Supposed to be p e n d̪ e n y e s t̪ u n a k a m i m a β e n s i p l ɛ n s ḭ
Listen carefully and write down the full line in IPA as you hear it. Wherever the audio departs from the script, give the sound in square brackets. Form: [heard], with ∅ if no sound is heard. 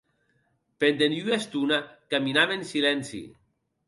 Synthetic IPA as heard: p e n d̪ e n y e s t̪ u n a k a m i [n] a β e n s i [∅] l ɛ n s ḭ